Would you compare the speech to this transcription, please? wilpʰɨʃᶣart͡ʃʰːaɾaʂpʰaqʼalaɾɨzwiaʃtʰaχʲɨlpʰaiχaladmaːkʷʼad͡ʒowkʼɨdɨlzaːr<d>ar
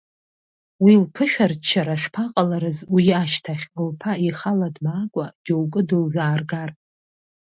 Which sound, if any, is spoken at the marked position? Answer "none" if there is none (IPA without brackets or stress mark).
ɡ